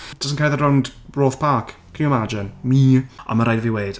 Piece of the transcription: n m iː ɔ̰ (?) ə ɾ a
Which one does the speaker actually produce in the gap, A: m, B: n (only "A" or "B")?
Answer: A